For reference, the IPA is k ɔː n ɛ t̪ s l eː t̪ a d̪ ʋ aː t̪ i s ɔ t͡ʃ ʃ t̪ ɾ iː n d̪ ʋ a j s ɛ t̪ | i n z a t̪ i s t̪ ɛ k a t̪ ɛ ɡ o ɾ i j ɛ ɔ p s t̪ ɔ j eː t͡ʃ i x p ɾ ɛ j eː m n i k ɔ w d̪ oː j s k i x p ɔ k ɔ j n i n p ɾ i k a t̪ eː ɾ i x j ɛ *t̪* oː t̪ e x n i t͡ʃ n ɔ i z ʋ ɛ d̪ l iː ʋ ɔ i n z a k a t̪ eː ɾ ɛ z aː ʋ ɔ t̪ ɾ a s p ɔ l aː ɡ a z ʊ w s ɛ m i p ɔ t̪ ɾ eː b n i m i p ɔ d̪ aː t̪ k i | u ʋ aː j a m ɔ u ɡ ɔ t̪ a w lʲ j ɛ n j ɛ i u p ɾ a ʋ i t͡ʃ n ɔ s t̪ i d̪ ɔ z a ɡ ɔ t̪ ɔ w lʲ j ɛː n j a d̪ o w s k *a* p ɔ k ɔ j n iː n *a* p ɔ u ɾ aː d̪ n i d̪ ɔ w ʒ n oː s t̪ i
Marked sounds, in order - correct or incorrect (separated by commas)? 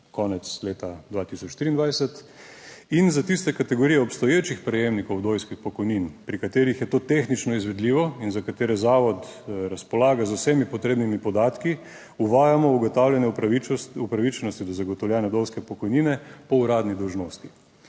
correct, incorrect, incorrect